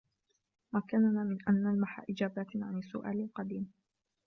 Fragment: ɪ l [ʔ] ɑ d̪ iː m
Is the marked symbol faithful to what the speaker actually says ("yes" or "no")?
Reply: no